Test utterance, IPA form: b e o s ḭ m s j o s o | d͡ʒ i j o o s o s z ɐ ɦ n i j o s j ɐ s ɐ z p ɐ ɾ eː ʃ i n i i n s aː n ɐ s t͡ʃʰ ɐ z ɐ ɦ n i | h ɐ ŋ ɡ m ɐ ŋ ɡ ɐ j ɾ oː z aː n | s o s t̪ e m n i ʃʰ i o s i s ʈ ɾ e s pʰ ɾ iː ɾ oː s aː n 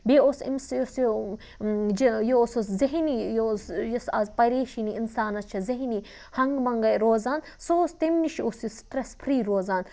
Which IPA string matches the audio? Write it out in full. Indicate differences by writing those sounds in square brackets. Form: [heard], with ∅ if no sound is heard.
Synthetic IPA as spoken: b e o s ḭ m s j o s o | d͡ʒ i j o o s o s z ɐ ɦ n i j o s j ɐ s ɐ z p ɐ ɾ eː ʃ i n i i n s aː n ɐ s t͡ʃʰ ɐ z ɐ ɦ n i | h ɐ ŋ ɡ m ɐ ŋ ɡ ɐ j ɾ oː z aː n | s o s t̪ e m n i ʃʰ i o s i s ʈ ɾ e s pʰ ɾ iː ɾ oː [z] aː n